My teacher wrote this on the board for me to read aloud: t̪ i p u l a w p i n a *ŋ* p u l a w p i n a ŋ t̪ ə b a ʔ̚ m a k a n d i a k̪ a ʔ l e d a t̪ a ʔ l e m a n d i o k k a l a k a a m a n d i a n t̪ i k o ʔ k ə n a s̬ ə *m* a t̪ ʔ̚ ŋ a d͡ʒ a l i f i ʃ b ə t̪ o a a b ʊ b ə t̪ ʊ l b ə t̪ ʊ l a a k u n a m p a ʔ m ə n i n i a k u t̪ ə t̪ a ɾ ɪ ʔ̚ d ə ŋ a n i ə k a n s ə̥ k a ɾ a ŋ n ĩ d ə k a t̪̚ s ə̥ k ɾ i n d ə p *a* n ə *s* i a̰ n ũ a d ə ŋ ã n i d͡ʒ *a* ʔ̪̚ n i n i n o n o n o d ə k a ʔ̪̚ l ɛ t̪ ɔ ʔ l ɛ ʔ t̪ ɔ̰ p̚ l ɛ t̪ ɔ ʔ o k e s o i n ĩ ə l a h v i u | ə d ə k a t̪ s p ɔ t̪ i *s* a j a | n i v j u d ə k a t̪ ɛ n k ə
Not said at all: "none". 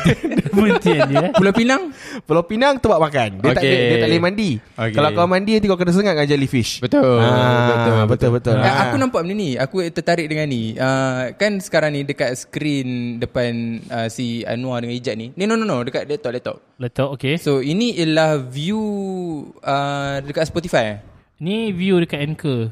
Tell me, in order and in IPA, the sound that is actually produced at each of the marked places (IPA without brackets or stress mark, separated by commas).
ŋ, ŋ, a, s, a, f